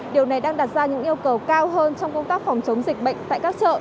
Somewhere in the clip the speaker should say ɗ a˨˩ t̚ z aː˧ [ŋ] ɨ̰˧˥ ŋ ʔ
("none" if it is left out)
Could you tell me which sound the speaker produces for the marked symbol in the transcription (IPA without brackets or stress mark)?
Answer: ɲ